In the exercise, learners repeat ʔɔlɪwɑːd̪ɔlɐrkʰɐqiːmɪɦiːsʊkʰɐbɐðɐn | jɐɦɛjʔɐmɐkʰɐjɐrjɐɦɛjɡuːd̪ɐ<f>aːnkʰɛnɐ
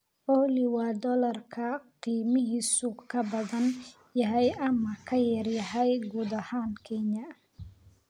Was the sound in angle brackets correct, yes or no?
no